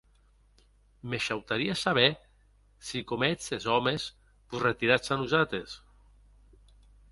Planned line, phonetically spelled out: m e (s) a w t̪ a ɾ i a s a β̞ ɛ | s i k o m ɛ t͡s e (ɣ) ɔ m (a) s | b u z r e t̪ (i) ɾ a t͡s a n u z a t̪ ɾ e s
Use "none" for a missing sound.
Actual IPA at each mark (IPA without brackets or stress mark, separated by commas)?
ʃ, z, e, i